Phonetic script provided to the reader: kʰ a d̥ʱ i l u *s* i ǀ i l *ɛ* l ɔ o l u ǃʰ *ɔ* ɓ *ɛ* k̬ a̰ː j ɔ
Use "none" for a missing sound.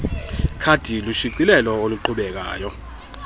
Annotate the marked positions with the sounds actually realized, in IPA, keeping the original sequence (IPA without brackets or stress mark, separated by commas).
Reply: ʃ, ɛ, u, ɛ